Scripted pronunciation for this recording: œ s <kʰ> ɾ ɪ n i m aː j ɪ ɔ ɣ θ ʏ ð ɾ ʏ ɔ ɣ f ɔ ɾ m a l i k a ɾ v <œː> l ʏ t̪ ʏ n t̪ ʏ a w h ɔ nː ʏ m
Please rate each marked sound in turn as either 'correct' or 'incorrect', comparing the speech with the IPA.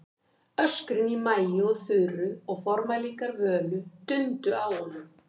incorrect: k, correct

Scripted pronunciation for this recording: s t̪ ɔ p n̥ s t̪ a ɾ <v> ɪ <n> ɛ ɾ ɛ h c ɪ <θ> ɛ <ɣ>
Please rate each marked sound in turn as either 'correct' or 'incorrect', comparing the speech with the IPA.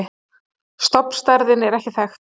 incorrect: ð, correct, correct, incorrect: x

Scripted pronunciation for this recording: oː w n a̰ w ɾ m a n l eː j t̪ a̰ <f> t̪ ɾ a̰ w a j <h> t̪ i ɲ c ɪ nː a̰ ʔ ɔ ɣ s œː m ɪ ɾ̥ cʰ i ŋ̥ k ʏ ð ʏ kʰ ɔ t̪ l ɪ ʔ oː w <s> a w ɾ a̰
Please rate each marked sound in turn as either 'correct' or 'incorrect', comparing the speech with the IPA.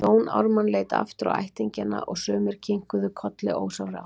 correct, correct, correct

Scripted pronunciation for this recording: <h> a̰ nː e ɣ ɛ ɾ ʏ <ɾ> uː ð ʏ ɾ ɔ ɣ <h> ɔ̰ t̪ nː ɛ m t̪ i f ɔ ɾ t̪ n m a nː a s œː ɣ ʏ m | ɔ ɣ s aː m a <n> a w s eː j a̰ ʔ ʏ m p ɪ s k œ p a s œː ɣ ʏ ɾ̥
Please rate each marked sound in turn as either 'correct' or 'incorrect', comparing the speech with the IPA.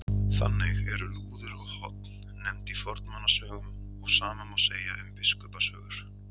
incorrect: θ, incorrect: l, correct, incorrect: m

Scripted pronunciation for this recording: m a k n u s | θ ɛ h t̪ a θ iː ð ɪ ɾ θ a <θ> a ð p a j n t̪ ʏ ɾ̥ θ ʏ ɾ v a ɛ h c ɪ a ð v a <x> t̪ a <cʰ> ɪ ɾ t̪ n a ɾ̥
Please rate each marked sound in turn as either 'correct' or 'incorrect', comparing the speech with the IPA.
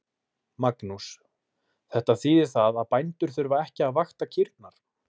incorrect: ð, correct, correct

